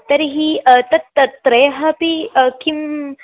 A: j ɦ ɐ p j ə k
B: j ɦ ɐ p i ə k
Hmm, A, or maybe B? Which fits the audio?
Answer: B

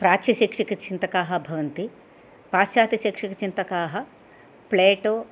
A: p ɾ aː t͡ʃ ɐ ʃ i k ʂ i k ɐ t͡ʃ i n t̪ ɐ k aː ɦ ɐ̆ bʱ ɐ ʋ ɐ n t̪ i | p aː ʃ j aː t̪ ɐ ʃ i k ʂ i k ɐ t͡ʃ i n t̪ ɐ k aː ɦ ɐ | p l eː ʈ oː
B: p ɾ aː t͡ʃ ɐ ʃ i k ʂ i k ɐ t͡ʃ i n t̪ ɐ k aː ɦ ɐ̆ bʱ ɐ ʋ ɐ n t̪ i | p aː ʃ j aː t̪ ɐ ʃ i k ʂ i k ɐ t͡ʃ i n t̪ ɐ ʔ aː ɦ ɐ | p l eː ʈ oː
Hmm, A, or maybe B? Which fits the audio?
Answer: A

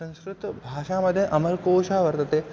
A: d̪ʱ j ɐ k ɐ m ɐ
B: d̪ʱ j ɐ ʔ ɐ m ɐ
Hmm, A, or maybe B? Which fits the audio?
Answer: B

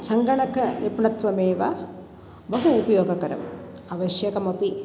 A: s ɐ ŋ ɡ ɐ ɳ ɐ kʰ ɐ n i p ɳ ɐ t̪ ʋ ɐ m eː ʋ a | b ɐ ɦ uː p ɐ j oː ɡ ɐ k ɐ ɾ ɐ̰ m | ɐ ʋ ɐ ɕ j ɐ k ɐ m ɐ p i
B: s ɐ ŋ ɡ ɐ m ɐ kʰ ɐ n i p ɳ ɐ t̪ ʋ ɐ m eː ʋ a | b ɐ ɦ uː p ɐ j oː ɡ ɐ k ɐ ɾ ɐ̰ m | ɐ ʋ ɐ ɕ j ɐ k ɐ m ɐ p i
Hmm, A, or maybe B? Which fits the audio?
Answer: A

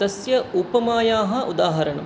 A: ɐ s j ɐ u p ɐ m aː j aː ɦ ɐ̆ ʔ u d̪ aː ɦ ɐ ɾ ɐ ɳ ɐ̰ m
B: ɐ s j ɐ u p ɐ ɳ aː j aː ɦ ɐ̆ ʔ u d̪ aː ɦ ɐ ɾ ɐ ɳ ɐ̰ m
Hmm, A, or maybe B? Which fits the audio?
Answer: A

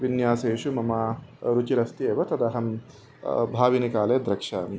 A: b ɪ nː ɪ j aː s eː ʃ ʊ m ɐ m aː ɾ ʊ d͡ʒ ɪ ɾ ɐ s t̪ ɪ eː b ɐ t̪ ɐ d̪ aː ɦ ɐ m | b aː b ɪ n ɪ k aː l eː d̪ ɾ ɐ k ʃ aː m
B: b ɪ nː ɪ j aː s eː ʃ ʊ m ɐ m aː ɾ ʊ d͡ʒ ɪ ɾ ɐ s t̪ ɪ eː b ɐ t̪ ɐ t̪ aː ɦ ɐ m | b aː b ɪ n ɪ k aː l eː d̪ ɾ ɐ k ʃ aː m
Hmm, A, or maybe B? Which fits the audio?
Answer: A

